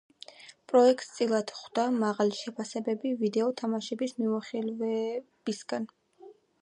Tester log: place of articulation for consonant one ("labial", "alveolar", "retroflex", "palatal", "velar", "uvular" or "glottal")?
labial